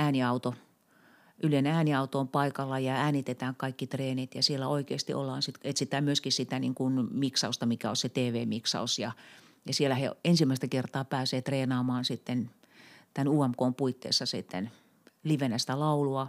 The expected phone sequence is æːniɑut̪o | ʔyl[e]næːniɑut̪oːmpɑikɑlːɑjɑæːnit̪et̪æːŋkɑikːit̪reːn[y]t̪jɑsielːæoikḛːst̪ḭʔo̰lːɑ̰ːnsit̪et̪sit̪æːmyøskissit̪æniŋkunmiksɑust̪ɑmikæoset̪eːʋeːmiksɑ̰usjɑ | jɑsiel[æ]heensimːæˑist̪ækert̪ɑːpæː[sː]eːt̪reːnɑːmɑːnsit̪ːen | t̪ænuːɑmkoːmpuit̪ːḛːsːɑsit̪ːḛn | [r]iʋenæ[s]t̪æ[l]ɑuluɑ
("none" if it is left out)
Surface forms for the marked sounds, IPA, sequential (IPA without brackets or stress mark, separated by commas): e, i, æ, s, l, s, l